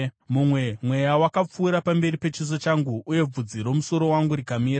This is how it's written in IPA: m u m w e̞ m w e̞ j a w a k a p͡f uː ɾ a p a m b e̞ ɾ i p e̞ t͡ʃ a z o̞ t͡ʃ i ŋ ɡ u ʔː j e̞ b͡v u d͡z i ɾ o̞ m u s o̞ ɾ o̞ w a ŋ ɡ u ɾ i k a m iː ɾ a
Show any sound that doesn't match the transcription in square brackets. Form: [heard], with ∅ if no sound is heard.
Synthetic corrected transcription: m u m w e̞ m w e̞ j a w a k a p͡f uː ɾ a p a m b e̞ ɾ i p e̞ t͡ʃ [i] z o̞ t͡ʃ [a] ŋ ɡ u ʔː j e̞ b͡v u d͡z i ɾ o̞ m u s o̞ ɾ o̞ w a ŋ ɡ u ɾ i k a m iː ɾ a